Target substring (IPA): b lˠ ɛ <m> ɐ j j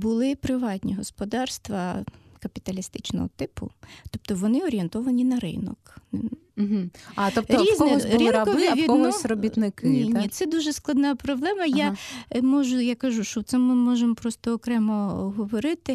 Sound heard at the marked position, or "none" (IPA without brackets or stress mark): m